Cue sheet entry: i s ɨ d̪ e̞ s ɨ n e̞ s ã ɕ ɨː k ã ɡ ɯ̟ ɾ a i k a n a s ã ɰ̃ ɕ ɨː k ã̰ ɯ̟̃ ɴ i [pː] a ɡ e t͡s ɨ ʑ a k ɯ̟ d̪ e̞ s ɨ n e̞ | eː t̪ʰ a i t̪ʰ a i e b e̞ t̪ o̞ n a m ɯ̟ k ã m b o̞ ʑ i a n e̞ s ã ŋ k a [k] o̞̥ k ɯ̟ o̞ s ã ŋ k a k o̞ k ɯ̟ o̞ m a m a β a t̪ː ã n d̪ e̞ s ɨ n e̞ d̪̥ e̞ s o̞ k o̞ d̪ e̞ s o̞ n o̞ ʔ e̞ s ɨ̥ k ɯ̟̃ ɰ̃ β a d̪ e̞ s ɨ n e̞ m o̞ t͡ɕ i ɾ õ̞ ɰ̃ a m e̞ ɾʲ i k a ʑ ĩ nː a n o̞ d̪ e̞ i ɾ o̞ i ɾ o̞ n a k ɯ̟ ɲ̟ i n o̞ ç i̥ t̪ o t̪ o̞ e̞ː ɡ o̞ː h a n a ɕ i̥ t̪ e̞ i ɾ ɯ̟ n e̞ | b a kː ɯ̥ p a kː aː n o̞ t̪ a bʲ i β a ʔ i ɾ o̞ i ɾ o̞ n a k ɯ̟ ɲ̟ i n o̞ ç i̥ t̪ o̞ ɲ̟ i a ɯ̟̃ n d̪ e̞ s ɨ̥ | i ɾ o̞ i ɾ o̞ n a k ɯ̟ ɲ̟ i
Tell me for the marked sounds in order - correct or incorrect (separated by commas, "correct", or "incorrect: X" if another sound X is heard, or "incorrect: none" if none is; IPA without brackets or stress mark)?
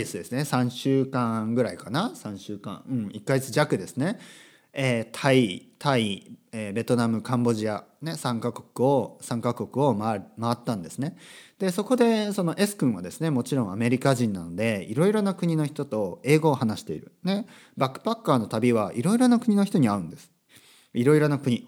incorrect: kː, correct